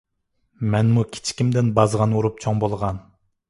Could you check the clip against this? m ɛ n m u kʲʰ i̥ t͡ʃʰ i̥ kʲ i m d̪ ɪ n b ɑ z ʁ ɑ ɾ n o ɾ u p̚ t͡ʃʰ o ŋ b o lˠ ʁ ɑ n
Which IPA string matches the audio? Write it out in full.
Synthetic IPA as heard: m ɛ n m u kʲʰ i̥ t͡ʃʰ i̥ kʲ i m d̪ ɪ n b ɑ z ʁ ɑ n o ɾ u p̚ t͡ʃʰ o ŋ b o lˠ ʁ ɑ n

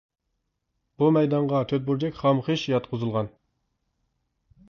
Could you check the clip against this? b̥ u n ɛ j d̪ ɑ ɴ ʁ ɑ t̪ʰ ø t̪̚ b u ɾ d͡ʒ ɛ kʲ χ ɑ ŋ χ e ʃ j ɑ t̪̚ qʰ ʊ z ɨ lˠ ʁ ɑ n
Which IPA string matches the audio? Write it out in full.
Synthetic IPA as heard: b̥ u m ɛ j d̪ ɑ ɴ ʁ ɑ t̪ʰ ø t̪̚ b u ɾ d͡ʒ ɛ kʲ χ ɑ m χ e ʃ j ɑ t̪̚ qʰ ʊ z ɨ lˠ ʁ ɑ n

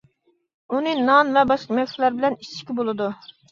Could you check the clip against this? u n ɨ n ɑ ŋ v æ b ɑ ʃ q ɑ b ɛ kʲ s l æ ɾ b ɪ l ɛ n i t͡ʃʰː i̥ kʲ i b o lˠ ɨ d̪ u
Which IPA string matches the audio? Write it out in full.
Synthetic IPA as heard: u n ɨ n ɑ n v ɛ b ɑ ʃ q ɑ m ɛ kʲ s l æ ɾ b ɪ l ɛ n i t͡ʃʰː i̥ kʲ i b o lˠ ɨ d̪ u

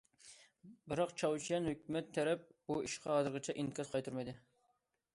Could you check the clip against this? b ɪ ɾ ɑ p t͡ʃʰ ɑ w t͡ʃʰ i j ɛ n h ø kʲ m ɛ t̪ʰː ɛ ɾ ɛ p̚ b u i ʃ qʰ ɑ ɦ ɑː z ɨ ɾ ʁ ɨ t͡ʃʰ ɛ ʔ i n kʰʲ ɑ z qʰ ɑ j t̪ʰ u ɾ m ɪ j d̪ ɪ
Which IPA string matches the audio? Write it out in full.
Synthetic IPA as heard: b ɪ ɾ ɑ q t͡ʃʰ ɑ w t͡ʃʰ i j ɛ n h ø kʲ m ɛ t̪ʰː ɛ ɾ ɛ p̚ b u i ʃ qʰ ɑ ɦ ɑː z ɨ ɾ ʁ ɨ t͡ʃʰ ɛ ʔ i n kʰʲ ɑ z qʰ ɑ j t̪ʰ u ɾ m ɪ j d̪ ɪ

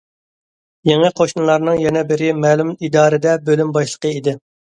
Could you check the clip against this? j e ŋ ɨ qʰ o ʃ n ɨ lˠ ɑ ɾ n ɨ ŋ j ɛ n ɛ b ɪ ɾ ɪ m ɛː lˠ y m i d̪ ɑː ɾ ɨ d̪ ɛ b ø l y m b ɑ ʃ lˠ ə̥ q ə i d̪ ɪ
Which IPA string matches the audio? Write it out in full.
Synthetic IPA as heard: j e ŋ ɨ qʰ o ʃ n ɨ lˠ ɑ ɾ n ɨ ŋ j ɛ n ɛ b ɪ ɾ ɪ m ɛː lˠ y m i d̪ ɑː ɾ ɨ d̪ ɛ b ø l y m b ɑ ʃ lˠ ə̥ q ə i d̪ ɪ

